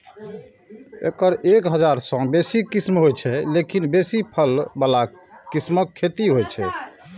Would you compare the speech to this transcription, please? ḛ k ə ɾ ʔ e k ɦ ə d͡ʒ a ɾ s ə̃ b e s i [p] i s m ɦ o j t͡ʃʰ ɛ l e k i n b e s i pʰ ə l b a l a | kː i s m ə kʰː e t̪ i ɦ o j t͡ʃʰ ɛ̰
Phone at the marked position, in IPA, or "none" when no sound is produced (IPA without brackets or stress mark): k